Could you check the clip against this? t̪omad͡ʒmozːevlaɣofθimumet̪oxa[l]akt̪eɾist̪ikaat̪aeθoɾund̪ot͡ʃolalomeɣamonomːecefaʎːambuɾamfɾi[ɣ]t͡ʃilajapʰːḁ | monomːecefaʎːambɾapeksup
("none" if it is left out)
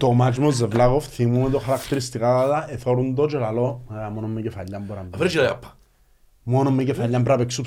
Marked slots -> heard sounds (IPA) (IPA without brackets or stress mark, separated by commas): ɾ, none